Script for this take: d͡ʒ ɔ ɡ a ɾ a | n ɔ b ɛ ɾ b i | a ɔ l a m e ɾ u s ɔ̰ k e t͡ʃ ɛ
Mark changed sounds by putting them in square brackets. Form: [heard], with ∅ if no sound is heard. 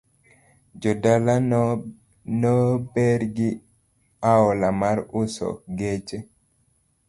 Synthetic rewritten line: d͡ʒ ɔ [d] a [l] a | n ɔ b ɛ ɾ [ɡ] i | a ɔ l a m [a] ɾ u s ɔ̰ [ɡ] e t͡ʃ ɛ